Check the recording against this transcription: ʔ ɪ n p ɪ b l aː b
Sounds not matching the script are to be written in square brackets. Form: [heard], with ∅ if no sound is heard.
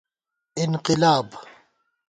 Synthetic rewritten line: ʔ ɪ n [q] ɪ [∅] l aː b